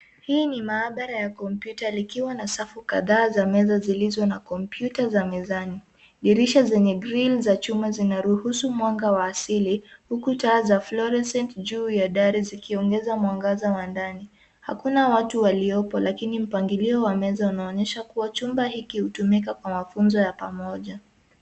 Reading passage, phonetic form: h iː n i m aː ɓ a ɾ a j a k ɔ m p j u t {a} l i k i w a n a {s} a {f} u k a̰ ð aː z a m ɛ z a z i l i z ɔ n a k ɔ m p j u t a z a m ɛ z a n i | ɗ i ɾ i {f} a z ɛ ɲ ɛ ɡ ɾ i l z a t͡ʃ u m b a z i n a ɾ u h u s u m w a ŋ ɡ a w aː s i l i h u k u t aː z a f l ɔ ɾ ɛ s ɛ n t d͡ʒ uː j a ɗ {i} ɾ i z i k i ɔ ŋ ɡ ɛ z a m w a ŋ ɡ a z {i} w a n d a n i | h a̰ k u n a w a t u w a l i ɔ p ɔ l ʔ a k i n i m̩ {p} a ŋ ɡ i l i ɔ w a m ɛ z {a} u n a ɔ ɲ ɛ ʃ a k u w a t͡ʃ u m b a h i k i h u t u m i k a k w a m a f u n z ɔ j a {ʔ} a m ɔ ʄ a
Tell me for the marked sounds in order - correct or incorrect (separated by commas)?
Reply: correct, correct, correct, incorrect, incorrect, incorrect, correct, correct, incorrect